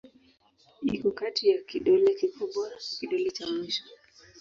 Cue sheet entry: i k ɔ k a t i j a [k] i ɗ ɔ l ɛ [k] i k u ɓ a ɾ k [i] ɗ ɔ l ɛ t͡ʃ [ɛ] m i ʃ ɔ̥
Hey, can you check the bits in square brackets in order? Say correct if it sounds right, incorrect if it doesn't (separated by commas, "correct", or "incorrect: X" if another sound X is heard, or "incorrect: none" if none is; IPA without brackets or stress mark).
correct, correct, correct, incorrect: a